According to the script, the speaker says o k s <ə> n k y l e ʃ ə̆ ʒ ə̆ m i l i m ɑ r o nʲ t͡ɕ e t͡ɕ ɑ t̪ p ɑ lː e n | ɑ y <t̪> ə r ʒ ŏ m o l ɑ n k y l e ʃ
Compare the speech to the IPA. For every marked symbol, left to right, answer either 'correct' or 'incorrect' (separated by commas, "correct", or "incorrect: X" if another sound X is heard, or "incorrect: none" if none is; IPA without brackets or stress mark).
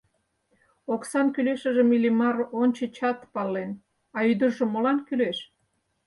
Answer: incorrect: ɑ, incorrect: d̪